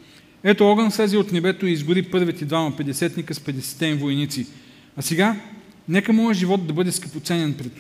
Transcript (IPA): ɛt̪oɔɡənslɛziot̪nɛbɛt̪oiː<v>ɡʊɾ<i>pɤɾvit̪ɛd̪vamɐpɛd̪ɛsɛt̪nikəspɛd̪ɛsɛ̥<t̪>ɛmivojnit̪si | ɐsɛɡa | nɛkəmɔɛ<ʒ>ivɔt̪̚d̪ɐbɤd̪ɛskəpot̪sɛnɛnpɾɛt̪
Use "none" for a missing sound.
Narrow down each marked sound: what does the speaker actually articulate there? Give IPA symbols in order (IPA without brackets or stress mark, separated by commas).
z, i, t̪, ʒ